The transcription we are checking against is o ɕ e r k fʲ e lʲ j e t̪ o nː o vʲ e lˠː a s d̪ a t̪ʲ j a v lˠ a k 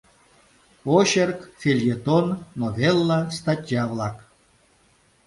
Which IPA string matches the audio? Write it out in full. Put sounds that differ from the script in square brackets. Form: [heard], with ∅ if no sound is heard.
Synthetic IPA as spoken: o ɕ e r k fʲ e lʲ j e t̪ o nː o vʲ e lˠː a s [t̪] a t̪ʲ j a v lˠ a k